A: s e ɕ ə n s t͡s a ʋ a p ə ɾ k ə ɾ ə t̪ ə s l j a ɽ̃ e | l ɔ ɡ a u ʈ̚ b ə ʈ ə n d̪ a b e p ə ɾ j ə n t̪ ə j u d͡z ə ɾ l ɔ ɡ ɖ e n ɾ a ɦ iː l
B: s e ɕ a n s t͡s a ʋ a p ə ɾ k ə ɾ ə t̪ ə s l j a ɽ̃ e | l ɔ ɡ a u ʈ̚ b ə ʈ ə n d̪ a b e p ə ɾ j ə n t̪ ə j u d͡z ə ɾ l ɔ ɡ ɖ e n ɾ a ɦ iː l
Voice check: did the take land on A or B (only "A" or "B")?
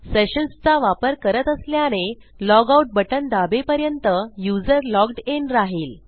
A